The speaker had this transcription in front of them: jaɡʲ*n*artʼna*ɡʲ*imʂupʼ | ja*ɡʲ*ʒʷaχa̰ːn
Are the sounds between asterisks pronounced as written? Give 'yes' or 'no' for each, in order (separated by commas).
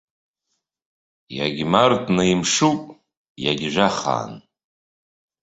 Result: no, no, yes